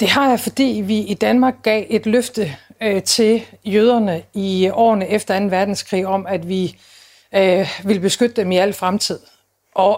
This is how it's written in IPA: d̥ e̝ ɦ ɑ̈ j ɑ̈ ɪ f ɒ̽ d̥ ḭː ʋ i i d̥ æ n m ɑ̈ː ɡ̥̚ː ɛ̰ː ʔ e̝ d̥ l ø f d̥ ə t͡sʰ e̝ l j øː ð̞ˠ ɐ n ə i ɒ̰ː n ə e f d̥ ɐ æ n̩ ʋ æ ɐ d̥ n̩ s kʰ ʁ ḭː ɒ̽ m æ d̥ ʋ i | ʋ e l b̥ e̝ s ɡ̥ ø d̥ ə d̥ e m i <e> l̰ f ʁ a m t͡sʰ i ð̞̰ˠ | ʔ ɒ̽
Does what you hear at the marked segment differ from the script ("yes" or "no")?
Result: yes